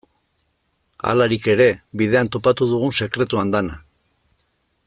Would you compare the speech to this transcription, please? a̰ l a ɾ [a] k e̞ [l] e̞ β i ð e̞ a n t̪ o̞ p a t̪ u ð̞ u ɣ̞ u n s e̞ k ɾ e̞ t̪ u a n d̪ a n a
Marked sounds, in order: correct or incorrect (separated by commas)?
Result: incorrect, incorrect